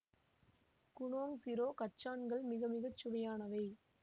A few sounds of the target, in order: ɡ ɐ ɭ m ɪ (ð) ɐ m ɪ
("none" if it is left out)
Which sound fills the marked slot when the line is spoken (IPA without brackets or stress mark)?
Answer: ɣ